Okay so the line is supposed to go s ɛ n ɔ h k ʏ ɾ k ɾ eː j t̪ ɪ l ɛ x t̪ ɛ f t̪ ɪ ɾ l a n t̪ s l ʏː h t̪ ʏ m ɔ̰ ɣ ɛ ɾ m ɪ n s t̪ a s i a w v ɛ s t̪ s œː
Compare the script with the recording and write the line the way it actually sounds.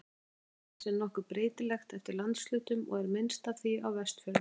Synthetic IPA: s ɛ n ɔ h k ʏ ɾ p ɾ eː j t̪ ɪ l ɛ x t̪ ɛ f t̪ ɪ ɾ l a n t̪ s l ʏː t̪ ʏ m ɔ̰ ɣ ɛ ɾ m ɪ n s t̪ a θ i a w v ɛ s t̪ f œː